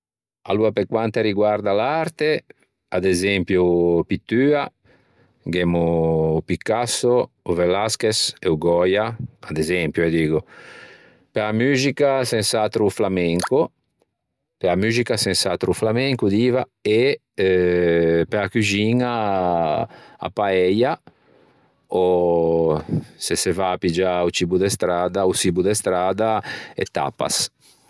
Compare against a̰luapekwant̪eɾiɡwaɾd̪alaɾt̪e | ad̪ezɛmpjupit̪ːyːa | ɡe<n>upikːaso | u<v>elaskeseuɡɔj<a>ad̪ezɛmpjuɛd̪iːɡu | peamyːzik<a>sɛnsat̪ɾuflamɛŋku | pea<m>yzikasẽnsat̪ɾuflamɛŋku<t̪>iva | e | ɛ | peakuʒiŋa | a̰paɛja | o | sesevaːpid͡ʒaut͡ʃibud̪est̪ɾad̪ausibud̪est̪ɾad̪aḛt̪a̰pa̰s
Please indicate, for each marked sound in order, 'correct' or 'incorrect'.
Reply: incorrect, correct, correct, correct, correct, incorrect

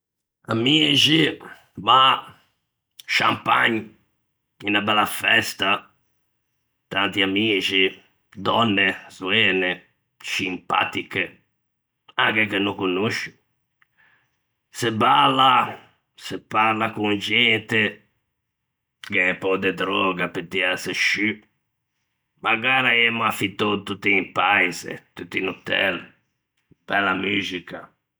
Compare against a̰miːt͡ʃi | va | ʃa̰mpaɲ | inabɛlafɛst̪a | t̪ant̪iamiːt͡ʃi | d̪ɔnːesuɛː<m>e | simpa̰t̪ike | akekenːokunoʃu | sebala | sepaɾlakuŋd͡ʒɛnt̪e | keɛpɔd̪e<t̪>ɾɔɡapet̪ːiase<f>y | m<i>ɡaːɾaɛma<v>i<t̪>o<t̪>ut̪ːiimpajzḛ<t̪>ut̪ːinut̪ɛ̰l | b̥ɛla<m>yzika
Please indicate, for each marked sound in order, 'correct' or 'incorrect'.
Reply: incorrect, incorrect, incorrect, incorrect, incorrect, correct, correct, correct, correct

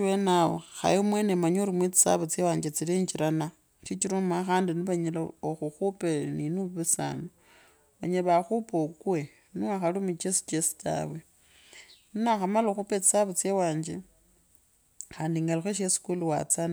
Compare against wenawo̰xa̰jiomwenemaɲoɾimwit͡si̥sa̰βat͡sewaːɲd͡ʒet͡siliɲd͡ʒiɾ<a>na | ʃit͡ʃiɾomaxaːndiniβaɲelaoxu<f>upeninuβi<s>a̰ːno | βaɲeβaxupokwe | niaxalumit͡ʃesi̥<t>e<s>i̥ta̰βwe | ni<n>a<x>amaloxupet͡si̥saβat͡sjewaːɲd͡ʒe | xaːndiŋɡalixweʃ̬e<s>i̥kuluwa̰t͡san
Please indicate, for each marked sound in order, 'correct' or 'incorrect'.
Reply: correct, incorrect, correct, incorrect, correct, correct, correct, correct

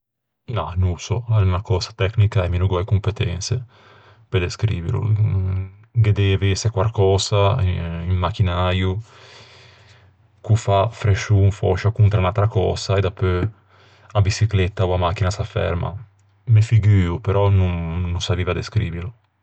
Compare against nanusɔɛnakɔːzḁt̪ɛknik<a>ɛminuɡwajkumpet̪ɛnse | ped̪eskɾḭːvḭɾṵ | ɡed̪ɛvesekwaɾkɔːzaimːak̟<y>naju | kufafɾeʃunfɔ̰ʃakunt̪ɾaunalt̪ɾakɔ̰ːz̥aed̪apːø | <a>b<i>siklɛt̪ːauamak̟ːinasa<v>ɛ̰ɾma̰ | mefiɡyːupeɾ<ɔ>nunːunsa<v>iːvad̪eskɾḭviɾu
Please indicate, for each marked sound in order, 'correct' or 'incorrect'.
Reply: correct, incorrect, correct, correct, incorrect, correct, correct

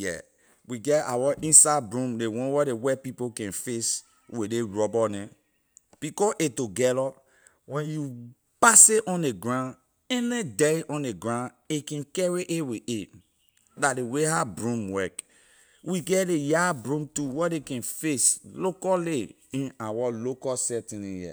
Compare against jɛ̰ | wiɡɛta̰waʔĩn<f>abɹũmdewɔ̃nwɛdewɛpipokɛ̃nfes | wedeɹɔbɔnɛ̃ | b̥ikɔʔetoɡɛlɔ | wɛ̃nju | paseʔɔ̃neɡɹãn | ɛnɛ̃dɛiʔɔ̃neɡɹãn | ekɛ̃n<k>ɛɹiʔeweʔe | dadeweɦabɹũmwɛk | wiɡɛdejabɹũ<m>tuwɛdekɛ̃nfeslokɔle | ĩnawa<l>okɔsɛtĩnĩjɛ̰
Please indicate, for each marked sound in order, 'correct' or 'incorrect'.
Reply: incorrect, correct, correct, correct

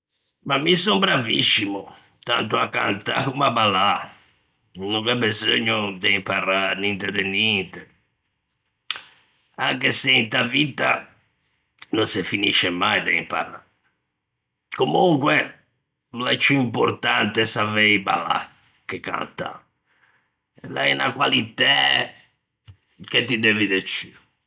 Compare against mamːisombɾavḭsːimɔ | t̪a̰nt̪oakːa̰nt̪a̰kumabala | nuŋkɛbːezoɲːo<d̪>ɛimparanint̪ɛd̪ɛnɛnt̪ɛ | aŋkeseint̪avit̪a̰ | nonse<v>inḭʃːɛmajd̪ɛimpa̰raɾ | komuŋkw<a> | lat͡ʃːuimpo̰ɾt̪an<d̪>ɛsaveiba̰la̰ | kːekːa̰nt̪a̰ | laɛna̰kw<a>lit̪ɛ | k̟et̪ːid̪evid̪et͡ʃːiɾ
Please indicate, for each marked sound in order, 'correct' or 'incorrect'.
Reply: correct, incorrect, incorrect, incorrect, correct

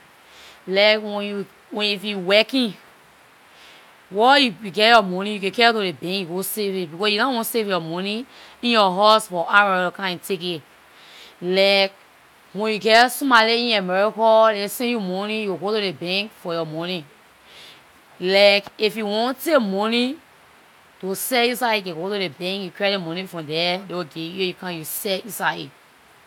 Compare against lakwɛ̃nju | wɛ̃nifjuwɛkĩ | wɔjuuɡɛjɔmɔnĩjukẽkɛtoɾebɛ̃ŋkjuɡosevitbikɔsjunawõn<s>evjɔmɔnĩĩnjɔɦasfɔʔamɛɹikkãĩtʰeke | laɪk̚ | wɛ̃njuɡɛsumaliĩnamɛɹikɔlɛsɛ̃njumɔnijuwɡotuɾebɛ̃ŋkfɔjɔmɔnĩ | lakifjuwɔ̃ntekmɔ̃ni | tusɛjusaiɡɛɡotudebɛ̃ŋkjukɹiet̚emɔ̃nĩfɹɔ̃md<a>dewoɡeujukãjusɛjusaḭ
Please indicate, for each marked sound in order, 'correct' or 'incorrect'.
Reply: correct, incorrect

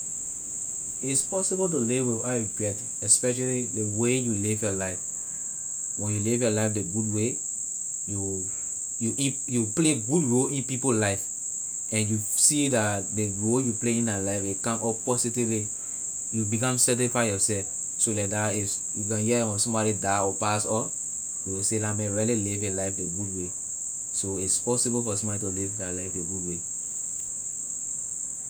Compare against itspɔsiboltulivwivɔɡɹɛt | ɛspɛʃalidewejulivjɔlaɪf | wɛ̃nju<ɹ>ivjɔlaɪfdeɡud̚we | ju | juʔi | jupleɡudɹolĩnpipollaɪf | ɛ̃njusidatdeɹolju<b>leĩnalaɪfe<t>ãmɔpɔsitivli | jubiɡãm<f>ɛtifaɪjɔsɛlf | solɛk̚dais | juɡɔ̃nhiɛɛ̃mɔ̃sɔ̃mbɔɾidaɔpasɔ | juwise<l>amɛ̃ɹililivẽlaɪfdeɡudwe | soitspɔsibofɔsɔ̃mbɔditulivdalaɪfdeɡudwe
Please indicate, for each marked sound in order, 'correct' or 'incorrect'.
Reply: incorrect, incorrect, incorrect, incorrect, correct

